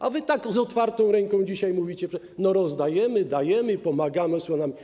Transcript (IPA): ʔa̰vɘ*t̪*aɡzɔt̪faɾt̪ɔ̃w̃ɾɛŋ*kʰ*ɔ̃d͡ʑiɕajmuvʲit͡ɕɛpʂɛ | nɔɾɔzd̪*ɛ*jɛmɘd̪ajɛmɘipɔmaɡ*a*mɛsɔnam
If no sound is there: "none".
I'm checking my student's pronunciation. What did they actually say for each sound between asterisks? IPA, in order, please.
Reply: t̪, k, a, a

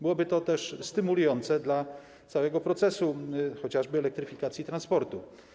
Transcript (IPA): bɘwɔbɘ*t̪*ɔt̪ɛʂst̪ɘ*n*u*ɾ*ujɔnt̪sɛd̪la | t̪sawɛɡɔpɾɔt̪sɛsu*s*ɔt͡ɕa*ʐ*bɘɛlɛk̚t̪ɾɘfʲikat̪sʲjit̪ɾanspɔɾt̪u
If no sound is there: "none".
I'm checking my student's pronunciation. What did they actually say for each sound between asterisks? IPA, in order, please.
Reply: t̪, m, l, x, ʐ

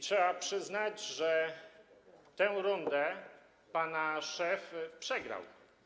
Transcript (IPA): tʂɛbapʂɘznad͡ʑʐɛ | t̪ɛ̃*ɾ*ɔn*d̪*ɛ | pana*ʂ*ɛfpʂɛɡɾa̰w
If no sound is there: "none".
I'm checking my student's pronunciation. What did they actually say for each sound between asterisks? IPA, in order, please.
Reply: ɾ, d̪, ʂ

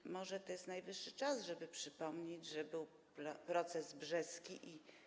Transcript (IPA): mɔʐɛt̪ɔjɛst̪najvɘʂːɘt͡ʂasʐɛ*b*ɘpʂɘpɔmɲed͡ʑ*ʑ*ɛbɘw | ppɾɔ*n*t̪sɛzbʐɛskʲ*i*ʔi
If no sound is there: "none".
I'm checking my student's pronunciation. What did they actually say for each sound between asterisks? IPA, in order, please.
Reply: b, ʐ, none, i

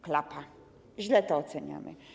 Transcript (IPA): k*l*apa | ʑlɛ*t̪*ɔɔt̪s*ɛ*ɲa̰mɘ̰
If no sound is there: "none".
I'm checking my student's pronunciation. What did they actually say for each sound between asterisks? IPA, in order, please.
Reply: l, t̪, ɛ

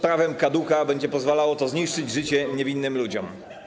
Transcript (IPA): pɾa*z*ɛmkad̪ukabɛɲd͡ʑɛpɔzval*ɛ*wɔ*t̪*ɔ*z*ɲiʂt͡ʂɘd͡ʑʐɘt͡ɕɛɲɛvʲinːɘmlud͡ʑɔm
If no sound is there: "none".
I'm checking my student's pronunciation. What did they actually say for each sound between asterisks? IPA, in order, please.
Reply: v, a, t̪, z

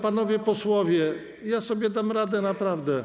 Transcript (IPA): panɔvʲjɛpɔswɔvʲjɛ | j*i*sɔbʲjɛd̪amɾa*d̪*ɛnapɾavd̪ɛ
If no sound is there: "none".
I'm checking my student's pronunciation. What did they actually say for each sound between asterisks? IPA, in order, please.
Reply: a, d̪

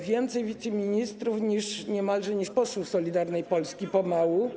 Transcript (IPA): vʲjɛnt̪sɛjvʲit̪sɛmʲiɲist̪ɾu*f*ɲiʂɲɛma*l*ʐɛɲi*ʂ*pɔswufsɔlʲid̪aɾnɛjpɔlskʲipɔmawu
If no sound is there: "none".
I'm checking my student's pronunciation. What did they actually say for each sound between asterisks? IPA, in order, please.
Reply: f, l, ʂ

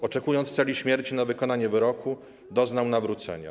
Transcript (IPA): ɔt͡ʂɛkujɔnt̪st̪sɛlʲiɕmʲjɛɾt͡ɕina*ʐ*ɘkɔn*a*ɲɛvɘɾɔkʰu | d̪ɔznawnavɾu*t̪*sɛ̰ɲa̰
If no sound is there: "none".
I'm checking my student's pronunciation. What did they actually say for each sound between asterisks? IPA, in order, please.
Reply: v, a, t̪

